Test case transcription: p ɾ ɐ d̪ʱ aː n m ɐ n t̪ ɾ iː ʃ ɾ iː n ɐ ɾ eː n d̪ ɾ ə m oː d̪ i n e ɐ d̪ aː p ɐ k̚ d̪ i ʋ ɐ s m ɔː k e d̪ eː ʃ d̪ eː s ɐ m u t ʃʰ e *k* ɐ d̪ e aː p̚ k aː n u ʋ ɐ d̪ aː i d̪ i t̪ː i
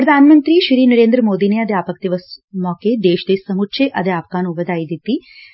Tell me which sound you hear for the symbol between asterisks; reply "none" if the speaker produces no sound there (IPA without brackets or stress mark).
ʔ